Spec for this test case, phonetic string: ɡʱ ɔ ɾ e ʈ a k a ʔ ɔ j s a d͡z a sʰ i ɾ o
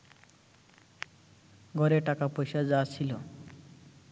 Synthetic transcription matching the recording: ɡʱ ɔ ɾ e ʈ a k a p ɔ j s a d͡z a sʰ i l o